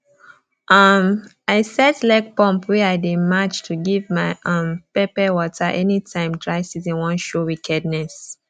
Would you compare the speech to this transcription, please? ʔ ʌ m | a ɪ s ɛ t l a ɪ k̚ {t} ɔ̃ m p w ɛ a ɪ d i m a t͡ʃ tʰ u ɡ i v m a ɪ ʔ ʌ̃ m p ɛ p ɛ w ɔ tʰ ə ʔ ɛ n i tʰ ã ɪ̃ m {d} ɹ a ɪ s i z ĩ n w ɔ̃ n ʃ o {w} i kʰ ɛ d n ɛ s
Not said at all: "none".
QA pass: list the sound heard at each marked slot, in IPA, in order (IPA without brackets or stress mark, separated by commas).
p, d, w